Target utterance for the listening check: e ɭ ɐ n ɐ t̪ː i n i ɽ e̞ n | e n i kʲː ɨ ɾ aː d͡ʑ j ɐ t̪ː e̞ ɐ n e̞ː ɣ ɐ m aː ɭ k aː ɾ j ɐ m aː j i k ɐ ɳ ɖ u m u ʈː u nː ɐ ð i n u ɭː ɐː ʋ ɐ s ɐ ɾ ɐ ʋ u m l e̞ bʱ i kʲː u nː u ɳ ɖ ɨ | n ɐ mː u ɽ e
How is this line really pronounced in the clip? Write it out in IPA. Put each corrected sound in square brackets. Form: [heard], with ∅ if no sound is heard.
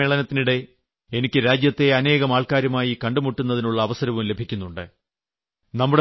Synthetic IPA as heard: e ɭ ɐ n ɐ t̪ː i n i ɽ e̞ [∅] | e n i kʲː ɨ ɾ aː d͡ʑ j ɐ t̪ː e̞ ɐ n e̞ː ɣ ɐ m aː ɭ k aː ɾ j ɐ m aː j i k ɐ ɳ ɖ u m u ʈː u nː ɐ ð i n u ɭː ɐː ʋ ɐ s ɐ ɾ ɐ ʋ u m l e̞ bʱ i kʲː u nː u ɳ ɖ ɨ | n ɐ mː u ɽ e

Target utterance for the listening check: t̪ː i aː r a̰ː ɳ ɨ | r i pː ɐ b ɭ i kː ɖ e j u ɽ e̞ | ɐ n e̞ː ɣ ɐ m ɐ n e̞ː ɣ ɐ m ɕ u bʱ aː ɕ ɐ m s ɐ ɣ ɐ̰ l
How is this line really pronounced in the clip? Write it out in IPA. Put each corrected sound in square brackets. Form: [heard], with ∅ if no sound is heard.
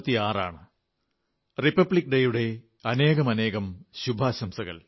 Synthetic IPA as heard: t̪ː i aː r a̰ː ɳ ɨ | r i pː ɐ b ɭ i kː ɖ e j u ɽ e̞ | ɐ n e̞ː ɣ ɐ m ɐ n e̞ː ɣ ɐ m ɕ u bʱ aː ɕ ɐ m s ɐ ɣ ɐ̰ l

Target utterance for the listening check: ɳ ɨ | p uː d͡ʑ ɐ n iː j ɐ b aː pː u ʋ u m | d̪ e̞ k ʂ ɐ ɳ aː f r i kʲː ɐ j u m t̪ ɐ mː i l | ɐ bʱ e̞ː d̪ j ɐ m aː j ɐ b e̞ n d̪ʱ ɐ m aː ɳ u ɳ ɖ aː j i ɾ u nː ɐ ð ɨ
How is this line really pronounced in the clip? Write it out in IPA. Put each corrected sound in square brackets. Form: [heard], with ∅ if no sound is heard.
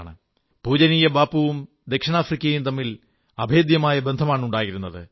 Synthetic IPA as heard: ɳ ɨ | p uː d͡ʑ ɐ n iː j ɐ b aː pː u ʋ u m | d̪ e̞ k ʂ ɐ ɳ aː f r i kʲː ɐ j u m t̪ ɐ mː i l | ɐ bʱ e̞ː d̪ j ɐ m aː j ɐ b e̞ n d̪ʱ ɐ m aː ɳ u ɳ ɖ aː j i ɾ u nː ɐ ð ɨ

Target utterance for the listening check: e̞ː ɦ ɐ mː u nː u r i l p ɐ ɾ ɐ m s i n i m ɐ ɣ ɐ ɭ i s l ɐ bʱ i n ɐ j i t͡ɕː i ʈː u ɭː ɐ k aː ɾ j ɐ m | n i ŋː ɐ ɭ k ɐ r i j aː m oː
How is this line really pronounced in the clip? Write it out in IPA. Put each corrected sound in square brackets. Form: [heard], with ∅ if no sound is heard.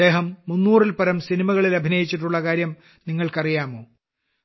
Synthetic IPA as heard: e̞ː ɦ ɐ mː u nː [uː] r i l p ɐ ɾ ɐ m s i n i m ɐ ɣ ɐ ɭ i [∅] l ɐ bʱ i n ɐ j i t͡ɕː i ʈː u ɭː ɐ k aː ɾ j ɐ m | n i ŋː ɐ ɭ k ɐ r i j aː m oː

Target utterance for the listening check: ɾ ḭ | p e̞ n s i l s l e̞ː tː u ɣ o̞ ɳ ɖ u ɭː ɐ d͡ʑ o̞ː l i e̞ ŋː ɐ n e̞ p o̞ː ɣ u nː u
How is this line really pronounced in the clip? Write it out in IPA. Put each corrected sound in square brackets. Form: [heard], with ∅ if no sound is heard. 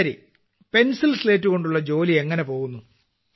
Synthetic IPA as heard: ɾ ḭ | p e̞ n s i l s l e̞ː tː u ɣ o̞ ɳ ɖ u ɭː ɐ d͡ʑ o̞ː l i e̞ ŋː ɐ n e̞ p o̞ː ɣ u nː u

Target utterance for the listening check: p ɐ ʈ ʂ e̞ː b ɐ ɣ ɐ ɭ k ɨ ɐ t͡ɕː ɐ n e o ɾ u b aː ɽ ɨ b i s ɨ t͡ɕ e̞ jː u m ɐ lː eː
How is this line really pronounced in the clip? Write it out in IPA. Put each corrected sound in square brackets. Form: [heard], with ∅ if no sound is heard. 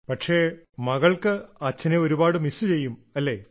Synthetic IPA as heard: p ɐ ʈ ʂ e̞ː [m] ɐ ɣ ɐ ɭ k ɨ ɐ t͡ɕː ɐ n e o ɾ u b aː ɽ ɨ [m] i s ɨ t͡ɕ e̞ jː u m ɐ lː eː

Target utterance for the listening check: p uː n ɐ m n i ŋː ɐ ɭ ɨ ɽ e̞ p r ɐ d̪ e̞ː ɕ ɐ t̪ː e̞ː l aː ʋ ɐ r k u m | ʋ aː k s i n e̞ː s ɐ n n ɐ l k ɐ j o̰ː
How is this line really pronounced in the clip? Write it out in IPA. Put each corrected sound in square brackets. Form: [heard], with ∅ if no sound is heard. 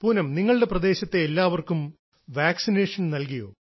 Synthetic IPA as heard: p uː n ɐ m n i ŋː ɐ ɭ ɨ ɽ e̞ p r ɐ d̪ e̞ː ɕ ɐ t̪ː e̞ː [lː] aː ʋ ɐ r k u m | ʋ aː k s i n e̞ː [ʂ] ɐ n n ɐ l k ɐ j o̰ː

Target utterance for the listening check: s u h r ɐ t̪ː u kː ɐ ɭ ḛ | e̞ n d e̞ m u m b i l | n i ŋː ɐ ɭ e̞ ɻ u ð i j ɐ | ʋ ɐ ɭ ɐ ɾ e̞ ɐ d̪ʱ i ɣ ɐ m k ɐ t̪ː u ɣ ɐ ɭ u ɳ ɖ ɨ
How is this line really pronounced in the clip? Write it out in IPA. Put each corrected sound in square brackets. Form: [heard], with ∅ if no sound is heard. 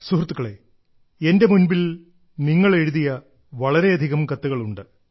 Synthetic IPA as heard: s u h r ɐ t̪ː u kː ɐ ɭ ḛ | e̞ n d e̞ m u [n] b i l | n i ŋː ɐ ɭ e̞ ɻ u ð i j ɐ | ʋ ɐ ɭ ɐ ɾ e̞ ɐ d̪ʱ i ɣ ɐ m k ɐ t̪ː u ɣ ɐ ɭ u ɳ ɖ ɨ

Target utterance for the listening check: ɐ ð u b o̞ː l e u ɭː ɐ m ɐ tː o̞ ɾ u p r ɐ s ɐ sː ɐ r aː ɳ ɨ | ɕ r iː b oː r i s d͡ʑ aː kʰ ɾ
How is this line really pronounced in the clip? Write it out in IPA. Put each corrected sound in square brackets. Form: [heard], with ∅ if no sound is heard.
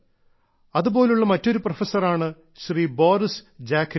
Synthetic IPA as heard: ɐ ð u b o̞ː l e u ɭː ɐ m ɐ tː o̞ ɾ u p r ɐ [f] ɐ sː ɐ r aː ɳ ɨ | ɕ r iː b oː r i s d͡ʑ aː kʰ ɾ

